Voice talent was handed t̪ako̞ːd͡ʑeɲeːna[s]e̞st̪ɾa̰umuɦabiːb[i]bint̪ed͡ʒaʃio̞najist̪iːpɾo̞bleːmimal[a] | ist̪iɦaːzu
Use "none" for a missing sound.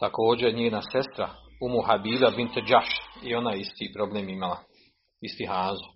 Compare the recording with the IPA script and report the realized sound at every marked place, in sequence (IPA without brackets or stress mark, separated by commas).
s, a, a